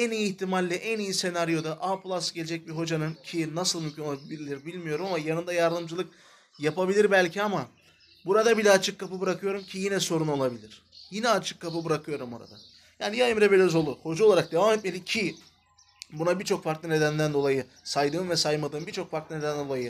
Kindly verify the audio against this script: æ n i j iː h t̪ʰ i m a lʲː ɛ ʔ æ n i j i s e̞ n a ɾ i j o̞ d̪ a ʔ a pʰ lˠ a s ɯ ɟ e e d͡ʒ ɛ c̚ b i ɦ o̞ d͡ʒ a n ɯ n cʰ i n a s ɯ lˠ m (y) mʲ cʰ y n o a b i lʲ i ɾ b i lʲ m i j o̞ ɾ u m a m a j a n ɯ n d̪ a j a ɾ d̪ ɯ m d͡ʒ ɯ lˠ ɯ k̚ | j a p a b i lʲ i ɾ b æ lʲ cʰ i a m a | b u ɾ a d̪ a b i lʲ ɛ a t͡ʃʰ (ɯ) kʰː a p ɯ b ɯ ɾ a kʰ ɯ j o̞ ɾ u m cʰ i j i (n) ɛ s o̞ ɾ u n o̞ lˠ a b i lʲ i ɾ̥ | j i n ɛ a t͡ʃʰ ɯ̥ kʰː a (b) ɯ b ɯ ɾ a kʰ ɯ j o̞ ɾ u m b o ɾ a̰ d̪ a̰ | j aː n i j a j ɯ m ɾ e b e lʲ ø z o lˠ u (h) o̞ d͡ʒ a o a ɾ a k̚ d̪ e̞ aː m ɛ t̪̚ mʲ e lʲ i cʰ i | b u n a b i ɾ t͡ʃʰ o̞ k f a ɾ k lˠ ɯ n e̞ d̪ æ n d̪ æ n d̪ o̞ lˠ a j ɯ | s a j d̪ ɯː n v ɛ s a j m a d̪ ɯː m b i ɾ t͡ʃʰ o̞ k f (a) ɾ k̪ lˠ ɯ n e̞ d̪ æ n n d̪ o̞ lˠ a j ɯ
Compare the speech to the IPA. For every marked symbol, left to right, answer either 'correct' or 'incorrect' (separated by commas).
correct, correct, correct, incorrect, correct, correct